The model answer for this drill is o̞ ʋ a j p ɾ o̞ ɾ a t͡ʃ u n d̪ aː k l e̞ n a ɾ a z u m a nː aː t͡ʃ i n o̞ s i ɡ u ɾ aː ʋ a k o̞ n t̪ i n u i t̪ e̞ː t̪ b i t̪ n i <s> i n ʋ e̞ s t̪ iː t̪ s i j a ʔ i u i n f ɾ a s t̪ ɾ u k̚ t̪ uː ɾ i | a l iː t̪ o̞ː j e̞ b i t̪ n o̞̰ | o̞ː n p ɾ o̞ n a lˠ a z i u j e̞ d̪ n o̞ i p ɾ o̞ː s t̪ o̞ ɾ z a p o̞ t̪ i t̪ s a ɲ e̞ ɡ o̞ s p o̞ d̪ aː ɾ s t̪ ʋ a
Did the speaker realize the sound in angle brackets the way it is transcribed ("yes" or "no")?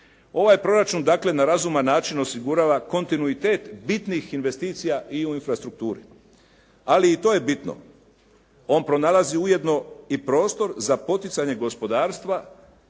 no